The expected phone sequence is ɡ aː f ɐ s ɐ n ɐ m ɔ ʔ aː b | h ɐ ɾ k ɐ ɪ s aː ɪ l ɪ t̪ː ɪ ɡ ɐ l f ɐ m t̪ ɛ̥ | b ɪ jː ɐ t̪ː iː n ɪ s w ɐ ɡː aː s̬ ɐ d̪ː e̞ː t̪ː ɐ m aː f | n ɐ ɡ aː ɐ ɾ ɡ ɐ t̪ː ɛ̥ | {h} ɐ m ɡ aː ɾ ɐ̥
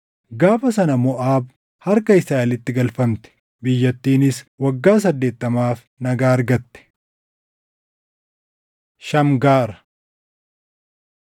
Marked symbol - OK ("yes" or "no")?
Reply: no